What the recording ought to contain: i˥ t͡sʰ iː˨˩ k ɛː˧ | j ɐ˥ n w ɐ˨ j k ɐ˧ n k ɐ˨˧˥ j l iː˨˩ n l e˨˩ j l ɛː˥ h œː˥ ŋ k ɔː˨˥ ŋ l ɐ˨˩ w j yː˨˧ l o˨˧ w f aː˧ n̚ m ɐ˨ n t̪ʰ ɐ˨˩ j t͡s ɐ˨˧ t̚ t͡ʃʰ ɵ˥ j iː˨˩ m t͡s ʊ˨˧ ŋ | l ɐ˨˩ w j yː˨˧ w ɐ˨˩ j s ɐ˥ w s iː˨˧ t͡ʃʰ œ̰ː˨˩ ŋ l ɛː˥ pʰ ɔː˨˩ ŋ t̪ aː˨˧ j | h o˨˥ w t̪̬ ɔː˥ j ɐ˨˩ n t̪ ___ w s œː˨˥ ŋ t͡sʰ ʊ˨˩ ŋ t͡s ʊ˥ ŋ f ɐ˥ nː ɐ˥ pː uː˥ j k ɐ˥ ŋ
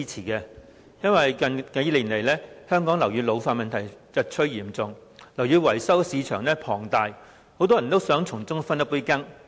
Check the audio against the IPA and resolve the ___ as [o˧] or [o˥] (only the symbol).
o˥